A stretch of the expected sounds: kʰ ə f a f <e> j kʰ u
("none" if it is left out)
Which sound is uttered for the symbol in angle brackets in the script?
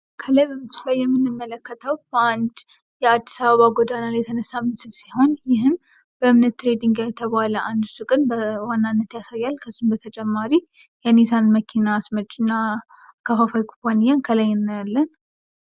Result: a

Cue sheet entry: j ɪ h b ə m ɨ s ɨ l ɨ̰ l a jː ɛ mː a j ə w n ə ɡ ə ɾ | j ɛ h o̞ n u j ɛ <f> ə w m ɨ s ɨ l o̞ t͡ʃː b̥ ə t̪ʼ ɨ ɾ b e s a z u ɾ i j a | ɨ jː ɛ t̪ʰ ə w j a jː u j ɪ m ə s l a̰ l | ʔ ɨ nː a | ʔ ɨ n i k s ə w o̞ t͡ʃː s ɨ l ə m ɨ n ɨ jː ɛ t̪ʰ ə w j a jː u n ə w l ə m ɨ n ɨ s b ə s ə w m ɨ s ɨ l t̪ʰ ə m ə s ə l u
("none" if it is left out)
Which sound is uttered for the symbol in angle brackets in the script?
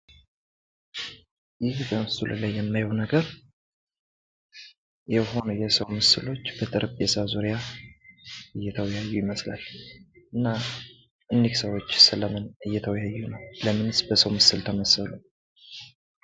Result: s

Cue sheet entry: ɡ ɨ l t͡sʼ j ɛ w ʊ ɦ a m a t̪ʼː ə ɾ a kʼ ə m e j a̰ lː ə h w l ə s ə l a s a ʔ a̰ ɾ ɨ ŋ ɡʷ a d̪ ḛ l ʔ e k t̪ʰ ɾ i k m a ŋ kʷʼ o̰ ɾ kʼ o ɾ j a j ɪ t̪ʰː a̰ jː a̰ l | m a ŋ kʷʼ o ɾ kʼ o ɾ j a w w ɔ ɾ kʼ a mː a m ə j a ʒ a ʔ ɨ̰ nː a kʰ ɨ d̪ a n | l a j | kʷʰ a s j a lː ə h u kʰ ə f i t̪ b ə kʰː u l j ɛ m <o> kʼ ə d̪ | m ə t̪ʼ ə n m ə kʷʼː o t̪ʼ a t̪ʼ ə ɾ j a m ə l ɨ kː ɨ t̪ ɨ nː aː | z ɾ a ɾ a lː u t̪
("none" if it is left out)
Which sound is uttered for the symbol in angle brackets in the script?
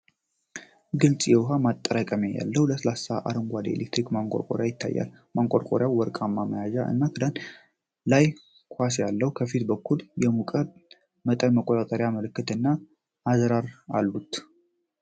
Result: u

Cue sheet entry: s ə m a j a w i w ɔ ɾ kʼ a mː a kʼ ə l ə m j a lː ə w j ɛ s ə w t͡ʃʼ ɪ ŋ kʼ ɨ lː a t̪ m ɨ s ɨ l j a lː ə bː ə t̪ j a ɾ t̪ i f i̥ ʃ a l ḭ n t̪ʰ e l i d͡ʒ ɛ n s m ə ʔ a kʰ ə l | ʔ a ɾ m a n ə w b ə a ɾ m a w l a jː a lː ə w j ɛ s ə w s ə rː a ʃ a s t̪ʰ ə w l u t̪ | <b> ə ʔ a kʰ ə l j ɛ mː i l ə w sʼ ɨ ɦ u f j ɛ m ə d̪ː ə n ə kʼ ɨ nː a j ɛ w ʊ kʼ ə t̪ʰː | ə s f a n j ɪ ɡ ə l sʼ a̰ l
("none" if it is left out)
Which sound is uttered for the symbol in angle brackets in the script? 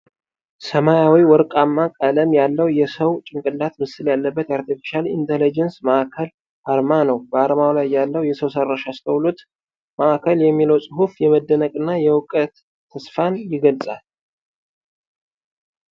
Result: m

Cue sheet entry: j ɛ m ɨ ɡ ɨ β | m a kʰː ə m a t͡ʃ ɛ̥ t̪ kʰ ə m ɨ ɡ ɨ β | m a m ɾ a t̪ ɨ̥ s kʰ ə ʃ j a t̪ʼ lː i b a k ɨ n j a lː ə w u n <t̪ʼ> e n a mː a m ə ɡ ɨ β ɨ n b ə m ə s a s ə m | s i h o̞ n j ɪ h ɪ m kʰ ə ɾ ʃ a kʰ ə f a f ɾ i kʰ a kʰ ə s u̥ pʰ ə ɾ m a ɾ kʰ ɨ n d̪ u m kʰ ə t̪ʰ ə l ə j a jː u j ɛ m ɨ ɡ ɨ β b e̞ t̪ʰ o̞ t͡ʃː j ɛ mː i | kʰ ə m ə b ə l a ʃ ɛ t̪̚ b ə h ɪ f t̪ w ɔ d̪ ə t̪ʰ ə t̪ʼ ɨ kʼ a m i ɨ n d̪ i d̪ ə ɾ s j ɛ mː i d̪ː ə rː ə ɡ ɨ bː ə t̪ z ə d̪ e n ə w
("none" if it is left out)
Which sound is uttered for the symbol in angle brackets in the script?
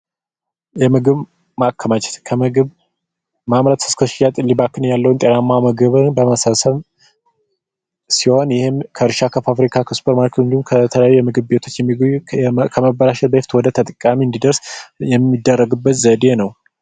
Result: t̪ʼ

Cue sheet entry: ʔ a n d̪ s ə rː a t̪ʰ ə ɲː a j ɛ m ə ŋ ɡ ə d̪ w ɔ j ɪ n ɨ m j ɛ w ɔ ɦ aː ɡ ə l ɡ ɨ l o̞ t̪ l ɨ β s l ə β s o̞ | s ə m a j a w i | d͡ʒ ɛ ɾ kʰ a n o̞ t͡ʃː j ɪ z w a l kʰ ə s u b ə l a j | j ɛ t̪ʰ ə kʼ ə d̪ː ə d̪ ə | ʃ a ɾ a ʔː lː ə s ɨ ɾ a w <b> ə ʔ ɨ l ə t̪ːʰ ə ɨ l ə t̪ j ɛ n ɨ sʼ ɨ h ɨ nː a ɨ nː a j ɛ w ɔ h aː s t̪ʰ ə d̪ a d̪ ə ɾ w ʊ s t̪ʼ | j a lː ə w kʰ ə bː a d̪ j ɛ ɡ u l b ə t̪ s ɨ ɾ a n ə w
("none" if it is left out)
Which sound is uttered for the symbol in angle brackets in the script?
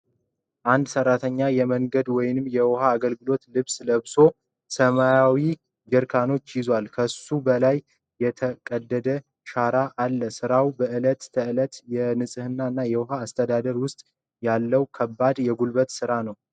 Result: b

